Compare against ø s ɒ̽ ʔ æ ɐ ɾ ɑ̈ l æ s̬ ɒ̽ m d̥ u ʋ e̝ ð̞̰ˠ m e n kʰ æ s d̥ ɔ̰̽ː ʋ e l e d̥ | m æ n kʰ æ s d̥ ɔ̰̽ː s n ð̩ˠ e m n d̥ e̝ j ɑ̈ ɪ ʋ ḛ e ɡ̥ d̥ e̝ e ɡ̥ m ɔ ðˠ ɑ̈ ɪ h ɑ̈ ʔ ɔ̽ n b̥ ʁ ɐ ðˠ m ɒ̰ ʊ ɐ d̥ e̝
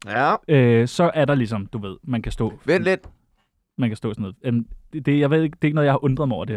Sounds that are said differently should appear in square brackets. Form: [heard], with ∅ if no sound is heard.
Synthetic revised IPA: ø s ɒ̽ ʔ æ ɐ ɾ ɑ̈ l [i] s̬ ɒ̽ m d̥ u ʋ e̝ ð̞̰ˠ m [æ] n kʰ æ s d̥ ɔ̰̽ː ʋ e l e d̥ | m æ n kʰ æ s d̥ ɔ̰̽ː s n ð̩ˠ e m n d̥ e̝ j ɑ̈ ɪ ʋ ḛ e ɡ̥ d̥ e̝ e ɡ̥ [n] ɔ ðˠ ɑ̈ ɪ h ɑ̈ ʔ ɔ̽ n [d̥] ʁ ɐ ðˠ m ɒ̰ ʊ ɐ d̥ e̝